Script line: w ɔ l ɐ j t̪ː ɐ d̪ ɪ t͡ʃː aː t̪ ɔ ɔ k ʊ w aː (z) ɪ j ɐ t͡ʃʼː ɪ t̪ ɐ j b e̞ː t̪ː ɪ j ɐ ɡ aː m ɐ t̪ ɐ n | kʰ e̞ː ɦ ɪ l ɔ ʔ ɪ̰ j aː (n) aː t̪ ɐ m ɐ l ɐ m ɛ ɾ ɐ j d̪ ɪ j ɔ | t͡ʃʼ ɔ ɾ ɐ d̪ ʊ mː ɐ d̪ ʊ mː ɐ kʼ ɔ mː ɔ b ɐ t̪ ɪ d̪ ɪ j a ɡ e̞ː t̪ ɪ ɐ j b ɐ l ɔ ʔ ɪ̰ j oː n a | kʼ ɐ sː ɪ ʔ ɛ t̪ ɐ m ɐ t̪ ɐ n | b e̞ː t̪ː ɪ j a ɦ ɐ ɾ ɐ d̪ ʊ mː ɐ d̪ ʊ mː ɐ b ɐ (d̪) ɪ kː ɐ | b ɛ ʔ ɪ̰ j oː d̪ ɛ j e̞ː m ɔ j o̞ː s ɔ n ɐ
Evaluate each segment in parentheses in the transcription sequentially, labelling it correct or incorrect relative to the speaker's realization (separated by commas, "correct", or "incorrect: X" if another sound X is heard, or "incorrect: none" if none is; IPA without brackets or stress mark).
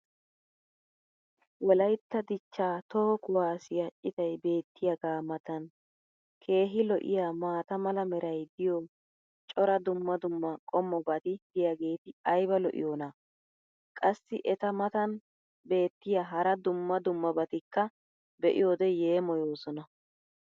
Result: incorrect: s, incorrect: m, incorrect: t̪